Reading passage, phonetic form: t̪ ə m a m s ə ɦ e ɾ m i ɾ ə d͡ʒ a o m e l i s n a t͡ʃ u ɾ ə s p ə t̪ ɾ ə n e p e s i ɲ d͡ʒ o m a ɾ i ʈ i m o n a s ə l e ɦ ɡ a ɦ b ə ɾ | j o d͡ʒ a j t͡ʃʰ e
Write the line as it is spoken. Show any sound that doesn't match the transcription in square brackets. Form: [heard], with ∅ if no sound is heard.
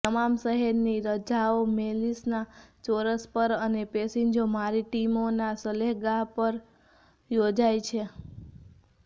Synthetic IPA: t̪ ə m a m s ə ɦ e ɾ [n] i ɾ ə d͡ʒ a o m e l i s n a t͡ʃ [o] ɾ ə s p ə [∅] ɾ ə n e p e s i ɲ d͡ʒ o m a ɾ i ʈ i m o n a s ə l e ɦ ɡ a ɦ [p] ə ɾ | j o d͡ʒ a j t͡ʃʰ e